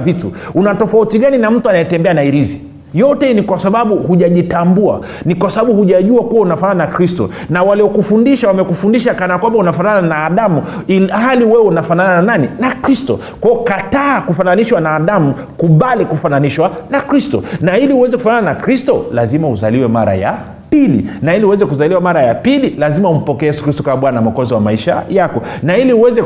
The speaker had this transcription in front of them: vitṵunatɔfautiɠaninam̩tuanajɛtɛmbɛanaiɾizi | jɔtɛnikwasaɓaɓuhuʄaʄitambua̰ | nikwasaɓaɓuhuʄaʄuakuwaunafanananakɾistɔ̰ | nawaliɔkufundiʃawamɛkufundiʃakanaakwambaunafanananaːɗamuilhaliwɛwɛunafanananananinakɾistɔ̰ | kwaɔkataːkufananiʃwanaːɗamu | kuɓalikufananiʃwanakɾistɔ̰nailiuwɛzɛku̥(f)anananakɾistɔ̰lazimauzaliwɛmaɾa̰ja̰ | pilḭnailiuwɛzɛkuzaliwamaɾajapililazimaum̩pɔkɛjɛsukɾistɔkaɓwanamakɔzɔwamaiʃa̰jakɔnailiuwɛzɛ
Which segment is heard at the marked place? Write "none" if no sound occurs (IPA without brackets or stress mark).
f